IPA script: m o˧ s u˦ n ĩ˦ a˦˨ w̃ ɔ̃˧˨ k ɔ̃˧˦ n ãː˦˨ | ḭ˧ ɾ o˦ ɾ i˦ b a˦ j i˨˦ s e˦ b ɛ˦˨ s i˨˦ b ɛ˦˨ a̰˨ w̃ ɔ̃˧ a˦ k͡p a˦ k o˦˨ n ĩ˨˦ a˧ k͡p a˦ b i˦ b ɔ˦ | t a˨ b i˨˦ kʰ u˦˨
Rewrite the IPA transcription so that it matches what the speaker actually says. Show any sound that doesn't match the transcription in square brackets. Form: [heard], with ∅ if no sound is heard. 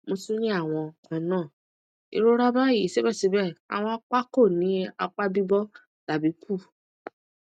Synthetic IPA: m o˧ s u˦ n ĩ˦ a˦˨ w̃ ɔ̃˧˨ k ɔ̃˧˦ n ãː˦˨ | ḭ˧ ɾ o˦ ɾ [a˦] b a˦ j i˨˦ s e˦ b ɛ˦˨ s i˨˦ b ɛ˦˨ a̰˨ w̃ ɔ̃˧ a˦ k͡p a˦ k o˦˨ n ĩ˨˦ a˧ k͡p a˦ b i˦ b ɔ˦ | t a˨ b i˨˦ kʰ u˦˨